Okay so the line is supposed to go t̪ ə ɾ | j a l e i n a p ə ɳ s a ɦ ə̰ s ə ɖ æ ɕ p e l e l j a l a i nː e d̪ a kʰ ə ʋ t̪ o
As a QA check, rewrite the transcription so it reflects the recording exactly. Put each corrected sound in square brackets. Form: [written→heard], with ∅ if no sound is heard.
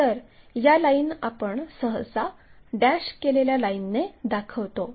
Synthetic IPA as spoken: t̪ ə ɾ | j a l [e→a] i n a p ə ɳ s [a→ə] ɦ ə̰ s [ə→a] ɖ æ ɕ [p→k] e l e l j a l a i nː e d̪ a kʰ ə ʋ t̪ o